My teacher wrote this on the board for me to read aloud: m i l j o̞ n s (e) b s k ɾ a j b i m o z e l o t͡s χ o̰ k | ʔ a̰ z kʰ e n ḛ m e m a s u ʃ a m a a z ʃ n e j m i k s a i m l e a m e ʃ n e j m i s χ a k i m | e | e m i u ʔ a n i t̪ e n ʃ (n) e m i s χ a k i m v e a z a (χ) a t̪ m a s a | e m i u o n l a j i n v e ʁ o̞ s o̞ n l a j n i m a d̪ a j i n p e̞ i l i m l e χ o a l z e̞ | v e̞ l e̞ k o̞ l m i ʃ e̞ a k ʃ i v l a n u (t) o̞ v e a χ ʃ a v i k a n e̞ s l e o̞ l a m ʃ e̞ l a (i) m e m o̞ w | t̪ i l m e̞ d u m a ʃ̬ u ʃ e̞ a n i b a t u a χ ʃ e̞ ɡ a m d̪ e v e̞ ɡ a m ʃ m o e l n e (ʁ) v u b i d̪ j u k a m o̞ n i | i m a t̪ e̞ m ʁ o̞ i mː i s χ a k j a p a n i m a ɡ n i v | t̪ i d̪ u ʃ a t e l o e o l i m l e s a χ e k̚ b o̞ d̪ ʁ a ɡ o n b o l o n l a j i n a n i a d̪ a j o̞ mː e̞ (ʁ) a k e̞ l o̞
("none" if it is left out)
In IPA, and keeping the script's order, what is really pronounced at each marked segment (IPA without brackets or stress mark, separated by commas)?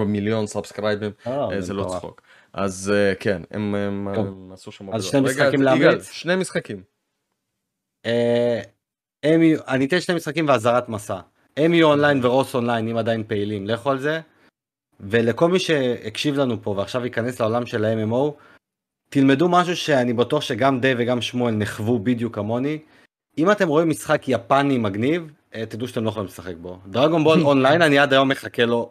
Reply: a, n, ʁ, p, e, χ, χ